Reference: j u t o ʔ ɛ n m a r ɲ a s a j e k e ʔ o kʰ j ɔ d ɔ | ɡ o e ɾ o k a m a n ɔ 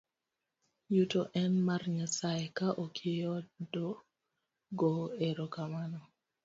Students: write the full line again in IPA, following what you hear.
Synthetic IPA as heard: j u t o ʔ ɛ n m a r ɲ a s a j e k a ʔ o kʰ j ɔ d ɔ | ɡ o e ɾ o k a m a n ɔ